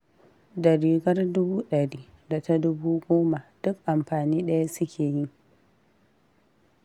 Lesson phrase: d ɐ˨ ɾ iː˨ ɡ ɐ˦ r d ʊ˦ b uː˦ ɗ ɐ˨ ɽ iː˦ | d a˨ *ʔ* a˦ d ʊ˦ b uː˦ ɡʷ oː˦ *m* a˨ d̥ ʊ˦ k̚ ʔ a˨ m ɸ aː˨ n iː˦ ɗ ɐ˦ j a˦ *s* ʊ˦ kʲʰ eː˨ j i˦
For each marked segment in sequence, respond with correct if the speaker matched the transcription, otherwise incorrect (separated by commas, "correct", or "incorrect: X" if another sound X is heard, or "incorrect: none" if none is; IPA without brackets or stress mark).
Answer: incorrect: t, correct, correct